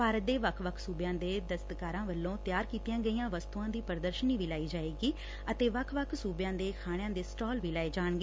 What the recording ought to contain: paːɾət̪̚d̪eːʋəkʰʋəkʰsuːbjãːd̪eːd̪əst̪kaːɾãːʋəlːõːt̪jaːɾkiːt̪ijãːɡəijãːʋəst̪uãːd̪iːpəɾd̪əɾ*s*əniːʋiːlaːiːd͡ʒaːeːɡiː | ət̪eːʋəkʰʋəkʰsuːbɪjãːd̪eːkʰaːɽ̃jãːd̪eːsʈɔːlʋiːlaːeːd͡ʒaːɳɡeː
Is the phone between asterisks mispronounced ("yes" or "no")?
yes